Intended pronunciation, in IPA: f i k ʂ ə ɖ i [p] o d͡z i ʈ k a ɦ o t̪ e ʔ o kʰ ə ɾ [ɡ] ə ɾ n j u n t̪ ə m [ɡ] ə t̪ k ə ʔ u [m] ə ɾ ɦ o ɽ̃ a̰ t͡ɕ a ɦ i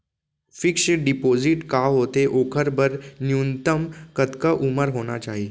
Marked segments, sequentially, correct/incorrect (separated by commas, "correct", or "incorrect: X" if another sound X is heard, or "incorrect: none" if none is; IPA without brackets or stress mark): correct, incorrect: b, incorrect: k, correct